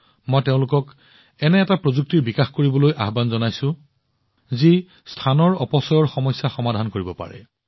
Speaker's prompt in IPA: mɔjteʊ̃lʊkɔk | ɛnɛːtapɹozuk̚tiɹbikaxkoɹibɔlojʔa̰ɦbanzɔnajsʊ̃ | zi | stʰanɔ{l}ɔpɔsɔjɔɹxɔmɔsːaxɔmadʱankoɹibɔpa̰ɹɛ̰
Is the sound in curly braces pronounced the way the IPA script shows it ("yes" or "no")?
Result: no